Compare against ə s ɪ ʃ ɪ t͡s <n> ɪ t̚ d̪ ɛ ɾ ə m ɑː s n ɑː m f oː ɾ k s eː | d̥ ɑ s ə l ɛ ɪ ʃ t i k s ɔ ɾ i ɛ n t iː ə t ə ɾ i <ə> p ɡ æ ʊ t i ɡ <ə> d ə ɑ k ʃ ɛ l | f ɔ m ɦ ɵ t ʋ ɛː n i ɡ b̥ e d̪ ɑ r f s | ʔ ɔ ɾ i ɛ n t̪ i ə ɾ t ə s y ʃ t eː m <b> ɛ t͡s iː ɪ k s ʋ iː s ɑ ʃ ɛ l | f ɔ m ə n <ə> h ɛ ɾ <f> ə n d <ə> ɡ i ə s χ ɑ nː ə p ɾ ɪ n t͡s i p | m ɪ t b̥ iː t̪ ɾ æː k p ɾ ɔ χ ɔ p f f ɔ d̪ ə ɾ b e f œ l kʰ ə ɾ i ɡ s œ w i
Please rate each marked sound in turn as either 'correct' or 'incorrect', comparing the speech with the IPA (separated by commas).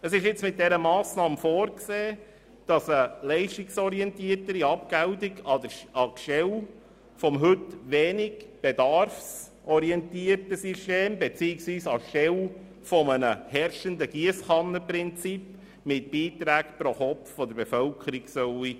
incorrect, incorrect, incorrect, correct, correct, incorrect, correct